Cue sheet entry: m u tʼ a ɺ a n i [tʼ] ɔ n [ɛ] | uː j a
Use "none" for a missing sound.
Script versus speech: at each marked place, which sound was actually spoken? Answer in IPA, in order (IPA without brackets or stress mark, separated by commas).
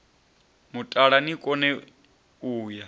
kʼ, ɛ